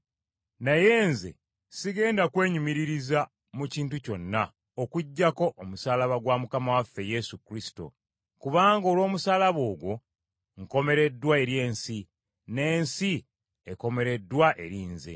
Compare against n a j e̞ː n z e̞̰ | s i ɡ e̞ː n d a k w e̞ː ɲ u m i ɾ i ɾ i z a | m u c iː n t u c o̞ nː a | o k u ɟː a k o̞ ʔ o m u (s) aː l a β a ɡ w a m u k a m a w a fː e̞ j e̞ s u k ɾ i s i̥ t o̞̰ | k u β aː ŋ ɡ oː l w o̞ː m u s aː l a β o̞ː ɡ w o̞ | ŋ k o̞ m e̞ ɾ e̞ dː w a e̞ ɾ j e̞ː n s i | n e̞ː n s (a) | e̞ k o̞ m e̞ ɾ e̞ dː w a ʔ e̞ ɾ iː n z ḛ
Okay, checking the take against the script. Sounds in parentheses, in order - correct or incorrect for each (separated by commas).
correct, incorrect